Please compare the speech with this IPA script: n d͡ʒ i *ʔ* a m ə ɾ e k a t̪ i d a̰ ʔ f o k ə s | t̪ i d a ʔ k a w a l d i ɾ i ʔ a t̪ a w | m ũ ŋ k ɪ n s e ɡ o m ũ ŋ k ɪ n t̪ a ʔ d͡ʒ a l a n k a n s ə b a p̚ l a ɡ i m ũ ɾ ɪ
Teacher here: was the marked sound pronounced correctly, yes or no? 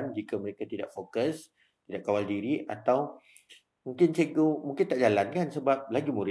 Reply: no